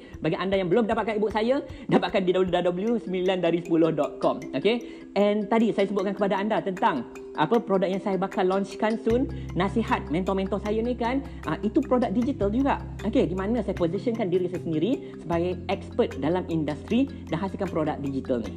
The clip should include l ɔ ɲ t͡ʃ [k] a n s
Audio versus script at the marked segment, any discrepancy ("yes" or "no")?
no